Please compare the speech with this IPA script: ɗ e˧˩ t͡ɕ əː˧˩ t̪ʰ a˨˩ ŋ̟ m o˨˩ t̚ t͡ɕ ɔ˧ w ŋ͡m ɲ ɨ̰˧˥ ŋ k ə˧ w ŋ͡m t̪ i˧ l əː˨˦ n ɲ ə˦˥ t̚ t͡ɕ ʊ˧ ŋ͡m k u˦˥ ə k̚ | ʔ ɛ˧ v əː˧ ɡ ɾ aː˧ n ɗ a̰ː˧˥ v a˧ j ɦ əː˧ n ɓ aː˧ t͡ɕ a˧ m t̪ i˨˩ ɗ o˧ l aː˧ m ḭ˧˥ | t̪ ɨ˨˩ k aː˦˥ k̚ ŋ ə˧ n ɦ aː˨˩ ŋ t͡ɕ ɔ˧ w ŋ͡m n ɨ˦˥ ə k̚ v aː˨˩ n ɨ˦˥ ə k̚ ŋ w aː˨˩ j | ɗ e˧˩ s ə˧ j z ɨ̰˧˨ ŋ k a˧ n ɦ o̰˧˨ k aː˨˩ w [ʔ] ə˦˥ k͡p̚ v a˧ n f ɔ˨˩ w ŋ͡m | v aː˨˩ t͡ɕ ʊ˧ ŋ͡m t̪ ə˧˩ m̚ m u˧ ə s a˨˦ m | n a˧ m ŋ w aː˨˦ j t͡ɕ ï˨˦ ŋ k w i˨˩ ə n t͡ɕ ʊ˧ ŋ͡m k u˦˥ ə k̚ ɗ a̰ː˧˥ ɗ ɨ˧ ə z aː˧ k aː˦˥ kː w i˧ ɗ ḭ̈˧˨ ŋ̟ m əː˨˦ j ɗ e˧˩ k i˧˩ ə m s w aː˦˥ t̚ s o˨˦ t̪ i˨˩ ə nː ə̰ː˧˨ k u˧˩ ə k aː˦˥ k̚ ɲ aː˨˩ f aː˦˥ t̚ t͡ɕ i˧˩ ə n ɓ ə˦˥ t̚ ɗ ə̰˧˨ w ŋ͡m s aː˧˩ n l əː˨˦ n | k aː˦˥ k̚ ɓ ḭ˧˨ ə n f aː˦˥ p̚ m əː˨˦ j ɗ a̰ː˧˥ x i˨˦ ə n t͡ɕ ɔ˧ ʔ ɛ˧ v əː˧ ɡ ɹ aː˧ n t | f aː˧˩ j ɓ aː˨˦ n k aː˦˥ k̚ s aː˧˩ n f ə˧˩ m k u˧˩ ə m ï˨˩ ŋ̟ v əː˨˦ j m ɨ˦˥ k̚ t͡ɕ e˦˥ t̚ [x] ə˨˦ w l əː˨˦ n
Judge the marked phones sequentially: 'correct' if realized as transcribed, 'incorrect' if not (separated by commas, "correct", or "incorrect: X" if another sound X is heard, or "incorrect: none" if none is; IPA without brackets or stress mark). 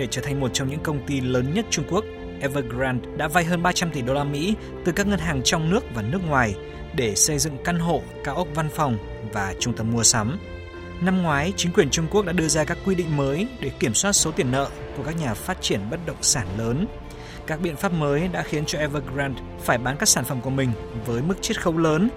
correct, correct